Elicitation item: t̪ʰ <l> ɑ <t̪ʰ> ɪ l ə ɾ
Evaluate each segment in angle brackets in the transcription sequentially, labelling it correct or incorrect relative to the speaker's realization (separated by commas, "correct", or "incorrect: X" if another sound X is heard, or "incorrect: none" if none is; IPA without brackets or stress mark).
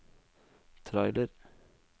incorrect: ɾ, incorrect: none